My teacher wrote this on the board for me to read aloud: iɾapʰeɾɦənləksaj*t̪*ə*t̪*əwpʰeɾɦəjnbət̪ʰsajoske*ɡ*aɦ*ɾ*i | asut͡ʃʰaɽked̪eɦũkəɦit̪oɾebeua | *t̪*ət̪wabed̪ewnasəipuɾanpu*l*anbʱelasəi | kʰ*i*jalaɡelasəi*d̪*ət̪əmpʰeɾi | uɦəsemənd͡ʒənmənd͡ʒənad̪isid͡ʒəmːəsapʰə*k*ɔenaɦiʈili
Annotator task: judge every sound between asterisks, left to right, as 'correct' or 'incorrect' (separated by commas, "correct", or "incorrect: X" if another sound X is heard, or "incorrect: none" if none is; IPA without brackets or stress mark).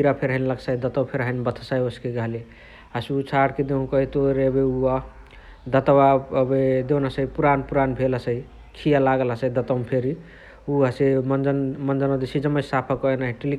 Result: incorrect: d̪, correct, correct, incorrect: l, incorrect: d̪, incorrect: ɾ, correct, correct, correct